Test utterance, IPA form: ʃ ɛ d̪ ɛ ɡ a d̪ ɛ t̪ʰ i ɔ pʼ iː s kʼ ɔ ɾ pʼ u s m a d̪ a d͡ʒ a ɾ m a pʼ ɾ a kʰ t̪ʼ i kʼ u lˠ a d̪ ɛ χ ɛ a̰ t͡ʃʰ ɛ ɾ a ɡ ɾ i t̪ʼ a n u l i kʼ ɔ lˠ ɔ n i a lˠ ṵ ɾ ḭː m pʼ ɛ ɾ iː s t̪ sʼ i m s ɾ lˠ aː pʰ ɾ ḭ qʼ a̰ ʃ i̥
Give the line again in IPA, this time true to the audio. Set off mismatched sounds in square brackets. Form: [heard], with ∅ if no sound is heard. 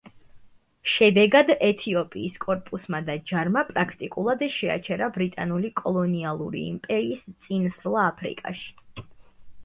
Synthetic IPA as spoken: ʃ ɛ d̪ ɛ ɡ a d̪ ɛ t̪ʰ i ɔ pʼ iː s kʼ ɔ ɾ pʼ u s m a d̪ a d͡ʒ a ɾ m a pʼ ɾ a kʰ t̪ʼ i kʼ u lˠ a d̪ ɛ [ʃ] ɛ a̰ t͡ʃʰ ɛ ɾ a [b] ɾ i t̪ʼ a n u l i kʼ ɔ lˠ ɔ n i a lˠ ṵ ɾ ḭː m pʼ ɛ ɾ iː s t̪ sʼ i [n] s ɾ lˠ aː pʰ ɾ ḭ [kʼ] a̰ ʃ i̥